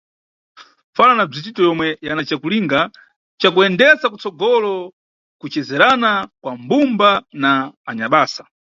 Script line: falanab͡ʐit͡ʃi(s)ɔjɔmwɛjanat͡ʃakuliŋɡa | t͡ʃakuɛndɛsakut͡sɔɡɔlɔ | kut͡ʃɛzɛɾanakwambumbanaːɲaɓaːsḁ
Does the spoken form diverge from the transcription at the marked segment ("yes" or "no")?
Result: yes